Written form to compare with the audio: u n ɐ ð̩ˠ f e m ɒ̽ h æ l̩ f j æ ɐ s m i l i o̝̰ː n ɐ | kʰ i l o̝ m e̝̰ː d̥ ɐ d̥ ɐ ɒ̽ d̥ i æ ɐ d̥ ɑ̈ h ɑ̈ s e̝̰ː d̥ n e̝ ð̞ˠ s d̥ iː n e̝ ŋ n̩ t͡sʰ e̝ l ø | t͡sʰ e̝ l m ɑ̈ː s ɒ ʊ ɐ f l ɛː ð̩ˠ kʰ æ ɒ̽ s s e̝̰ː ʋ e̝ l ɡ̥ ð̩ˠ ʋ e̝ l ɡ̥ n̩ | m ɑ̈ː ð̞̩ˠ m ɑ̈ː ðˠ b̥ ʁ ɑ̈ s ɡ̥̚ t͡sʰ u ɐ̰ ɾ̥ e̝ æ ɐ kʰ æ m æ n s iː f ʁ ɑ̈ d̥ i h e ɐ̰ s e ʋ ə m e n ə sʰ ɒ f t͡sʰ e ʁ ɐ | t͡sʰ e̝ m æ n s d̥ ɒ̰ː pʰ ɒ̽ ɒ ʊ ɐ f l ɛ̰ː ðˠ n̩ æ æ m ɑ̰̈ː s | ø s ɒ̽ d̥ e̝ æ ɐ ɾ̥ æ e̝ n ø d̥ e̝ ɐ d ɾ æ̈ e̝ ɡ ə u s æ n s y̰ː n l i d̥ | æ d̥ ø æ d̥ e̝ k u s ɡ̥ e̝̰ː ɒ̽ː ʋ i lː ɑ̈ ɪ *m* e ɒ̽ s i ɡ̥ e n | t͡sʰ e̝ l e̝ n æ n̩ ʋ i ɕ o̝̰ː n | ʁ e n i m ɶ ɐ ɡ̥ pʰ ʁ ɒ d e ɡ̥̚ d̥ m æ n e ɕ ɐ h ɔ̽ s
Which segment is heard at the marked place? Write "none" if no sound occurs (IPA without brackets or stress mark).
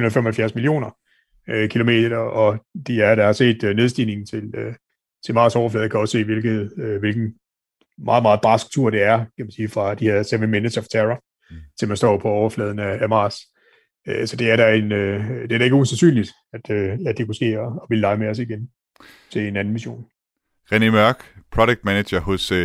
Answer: m